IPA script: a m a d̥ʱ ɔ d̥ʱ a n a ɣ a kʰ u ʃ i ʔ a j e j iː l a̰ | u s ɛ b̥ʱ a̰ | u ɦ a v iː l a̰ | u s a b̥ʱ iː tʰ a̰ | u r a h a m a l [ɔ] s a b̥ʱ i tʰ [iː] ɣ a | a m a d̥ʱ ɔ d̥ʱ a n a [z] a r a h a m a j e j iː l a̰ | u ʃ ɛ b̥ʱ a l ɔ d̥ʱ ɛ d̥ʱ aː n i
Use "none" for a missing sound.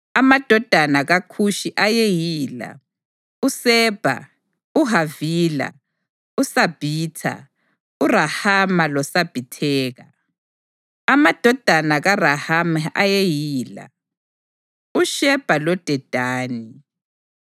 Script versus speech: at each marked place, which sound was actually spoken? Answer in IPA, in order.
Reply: ɔ, ɛː, ɣ

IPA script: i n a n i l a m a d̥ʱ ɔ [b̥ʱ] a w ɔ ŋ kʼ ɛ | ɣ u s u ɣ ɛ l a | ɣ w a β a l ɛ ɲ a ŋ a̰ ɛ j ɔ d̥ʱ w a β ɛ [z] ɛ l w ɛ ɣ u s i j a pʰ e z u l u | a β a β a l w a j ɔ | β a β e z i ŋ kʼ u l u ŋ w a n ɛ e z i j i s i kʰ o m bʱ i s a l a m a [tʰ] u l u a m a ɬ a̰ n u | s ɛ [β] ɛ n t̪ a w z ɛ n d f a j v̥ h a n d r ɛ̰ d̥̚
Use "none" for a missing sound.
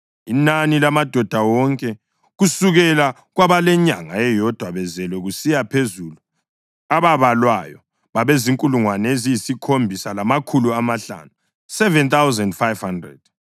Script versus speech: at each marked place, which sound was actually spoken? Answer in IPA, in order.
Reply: d̥ʱ, z, kʰ, v

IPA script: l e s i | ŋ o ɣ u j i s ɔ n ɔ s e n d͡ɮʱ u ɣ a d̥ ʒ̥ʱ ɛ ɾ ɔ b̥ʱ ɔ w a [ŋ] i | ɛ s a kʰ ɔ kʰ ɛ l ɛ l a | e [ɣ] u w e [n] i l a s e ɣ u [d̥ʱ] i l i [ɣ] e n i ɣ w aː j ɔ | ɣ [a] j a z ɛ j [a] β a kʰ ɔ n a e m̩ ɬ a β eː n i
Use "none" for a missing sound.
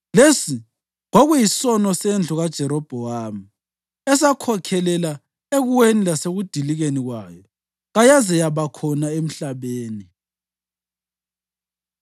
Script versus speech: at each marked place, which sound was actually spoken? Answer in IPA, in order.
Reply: m, ɣ, n, d̥ʱ, ɣ, a, a

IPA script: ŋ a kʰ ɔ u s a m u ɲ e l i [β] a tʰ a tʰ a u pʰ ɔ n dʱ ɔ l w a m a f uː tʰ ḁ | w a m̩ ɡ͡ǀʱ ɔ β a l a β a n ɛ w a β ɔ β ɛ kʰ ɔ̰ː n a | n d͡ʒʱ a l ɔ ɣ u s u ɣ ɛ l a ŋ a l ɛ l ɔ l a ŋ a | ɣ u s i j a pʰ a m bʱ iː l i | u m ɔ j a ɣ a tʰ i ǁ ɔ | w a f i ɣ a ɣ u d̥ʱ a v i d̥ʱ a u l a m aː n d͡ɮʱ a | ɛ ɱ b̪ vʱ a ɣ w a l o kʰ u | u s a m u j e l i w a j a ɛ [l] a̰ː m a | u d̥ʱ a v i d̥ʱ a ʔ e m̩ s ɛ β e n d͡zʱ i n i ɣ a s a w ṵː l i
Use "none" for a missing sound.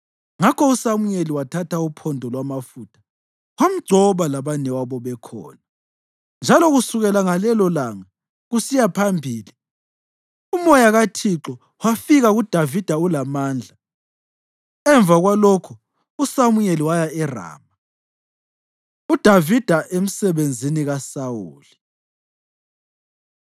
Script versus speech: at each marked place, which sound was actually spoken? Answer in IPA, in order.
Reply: w, r

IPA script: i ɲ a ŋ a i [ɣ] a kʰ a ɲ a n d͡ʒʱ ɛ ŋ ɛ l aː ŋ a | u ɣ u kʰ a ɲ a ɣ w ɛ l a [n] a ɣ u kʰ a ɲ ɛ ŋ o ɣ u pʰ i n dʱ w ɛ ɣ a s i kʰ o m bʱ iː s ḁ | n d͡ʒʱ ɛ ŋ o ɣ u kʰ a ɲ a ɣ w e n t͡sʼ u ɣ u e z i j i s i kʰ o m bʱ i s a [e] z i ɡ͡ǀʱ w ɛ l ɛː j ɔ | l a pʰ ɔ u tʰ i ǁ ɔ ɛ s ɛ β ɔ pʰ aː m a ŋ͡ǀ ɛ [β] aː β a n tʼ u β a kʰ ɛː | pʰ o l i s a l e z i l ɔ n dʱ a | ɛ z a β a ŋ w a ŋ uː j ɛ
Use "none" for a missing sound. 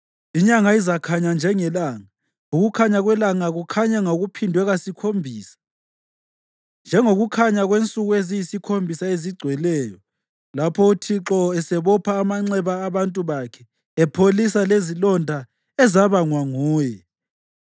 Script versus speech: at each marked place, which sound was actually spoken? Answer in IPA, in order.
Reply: z, ŋ, e, β

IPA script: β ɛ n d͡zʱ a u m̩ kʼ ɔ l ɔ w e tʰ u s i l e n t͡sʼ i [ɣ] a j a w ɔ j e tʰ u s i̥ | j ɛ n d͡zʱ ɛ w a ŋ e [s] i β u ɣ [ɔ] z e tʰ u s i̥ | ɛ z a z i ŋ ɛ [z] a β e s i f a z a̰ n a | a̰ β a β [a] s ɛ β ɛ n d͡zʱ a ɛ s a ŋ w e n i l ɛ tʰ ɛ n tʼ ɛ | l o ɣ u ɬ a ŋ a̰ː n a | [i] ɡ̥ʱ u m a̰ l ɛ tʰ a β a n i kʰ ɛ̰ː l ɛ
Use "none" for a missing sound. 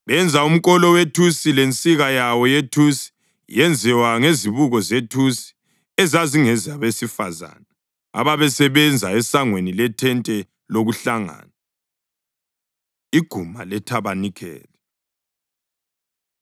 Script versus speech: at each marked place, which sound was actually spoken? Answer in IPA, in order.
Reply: ɣ, z, ɔ, z, ɛ, i

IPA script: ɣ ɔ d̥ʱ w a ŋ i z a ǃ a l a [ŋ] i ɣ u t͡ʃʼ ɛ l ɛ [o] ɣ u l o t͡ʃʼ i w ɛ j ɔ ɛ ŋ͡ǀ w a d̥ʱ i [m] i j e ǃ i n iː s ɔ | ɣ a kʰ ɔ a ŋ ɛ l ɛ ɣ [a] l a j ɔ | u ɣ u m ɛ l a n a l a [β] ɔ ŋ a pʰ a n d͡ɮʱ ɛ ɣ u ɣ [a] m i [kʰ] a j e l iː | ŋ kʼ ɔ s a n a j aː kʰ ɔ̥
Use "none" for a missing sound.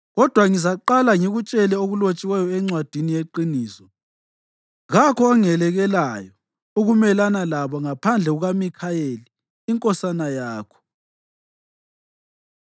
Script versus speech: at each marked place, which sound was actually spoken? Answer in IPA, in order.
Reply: ŋ, o, n, ɛ, β, a, kʰ

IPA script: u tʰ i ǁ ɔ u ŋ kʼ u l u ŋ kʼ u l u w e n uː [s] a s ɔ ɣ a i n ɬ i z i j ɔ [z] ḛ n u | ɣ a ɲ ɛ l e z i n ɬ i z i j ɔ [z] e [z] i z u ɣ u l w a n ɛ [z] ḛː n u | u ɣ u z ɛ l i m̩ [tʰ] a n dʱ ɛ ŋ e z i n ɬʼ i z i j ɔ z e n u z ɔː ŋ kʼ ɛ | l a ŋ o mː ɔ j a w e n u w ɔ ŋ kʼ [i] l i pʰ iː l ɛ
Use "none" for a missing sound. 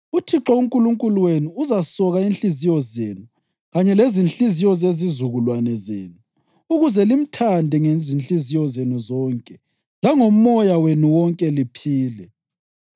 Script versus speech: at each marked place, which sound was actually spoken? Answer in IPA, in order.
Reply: z, z, z, z, z, tʰ, ɛ

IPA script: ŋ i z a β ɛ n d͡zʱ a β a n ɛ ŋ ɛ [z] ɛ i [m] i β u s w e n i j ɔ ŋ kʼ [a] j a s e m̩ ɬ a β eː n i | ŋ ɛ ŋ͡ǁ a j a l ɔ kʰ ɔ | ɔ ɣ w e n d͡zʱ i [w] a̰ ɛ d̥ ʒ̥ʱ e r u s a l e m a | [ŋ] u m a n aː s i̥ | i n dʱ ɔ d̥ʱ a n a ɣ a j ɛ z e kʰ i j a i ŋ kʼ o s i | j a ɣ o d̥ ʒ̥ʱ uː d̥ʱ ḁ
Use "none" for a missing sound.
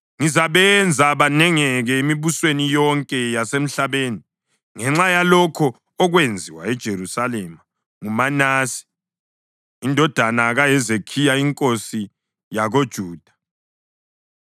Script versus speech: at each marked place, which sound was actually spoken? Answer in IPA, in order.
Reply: ɣ, m, ɛ, w, ŋ

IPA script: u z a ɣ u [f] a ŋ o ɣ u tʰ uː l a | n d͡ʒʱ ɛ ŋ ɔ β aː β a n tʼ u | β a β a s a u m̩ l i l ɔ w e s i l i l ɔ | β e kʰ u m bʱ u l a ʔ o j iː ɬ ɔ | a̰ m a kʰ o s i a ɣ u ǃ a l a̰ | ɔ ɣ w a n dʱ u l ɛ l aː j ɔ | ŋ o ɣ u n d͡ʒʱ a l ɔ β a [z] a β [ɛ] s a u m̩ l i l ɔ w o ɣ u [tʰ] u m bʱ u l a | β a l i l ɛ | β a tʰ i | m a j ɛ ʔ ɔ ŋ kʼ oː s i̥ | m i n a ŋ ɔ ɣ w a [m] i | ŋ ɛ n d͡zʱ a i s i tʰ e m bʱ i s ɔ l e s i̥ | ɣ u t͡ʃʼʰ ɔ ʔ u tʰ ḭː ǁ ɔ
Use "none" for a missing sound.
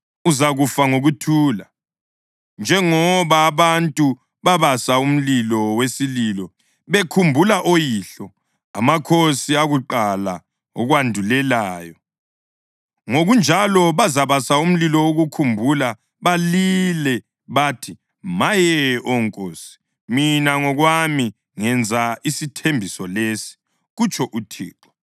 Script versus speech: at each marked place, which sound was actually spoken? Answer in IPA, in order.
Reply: f, z, a, kʰ, m

